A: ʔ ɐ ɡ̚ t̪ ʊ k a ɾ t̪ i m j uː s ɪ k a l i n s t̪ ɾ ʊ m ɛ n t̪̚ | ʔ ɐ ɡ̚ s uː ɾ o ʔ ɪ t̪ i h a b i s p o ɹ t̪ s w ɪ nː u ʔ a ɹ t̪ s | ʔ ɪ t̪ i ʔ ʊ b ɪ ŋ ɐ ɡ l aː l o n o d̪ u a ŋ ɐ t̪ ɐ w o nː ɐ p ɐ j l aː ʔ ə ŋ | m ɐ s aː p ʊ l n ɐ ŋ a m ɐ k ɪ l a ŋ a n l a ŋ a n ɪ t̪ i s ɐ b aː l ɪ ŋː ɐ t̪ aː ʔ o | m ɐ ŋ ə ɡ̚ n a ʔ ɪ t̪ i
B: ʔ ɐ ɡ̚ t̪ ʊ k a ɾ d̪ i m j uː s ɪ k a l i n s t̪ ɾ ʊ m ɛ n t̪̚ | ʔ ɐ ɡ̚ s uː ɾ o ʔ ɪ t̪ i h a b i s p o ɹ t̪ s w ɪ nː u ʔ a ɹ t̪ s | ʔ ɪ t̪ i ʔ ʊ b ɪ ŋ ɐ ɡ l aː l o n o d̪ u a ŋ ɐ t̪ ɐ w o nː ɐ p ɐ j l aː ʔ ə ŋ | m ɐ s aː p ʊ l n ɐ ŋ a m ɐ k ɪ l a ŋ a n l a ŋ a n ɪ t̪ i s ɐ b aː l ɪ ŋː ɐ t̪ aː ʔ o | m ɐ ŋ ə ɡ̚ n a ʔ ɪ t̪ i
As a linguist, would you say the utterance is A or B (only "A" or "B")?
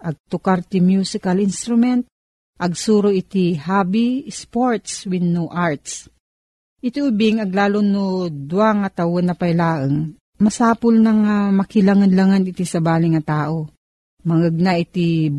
A